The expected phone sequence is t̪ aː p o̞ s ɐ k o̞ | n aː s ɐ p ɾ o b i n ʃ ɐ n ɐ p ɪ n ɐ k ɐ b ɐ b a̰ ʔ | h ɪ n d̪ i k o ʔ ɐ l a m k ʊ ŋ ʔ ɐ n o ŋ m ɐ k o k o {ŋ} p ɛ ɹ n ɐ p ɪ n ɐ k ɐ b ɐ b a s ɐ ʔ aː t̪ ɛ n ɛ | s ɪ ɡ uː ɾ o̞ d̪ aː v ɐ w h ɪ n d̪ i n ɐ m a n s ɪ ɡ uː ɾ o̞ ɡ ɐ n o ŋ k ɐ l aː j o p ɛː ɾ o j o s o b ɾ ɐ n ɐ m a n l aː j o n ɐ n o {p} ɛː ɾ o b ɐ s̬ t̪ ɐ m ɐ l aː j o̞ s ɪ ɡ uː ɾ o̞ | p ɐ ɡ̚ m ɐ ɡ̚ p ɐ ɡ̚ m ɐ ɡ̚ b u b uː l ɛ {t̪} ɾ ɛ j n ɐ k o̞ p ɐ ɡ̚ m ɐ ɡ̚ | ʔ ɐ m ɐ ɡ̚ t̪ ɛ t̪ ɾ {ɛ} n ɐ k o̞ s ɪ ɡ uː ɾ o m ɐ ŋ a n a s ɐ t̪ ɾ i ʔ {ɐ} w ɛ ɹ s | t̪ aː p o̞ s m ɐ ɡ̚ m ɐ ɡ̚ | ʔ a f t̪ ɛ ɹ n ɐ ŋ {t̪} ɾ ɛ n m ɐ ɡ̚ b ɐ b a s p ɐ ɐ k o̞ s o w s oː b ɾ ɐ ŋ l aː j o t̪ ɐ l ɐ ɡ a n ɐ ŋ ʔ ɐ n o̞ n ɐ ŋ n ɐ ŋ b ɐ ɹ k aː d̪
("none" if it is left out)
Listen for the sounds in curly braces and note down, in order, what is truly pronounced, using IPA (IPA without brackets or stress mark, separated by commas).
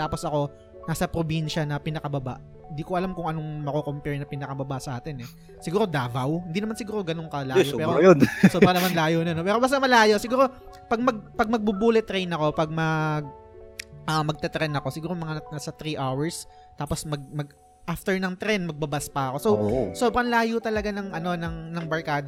m, p, t̪, ɛ, a, t̪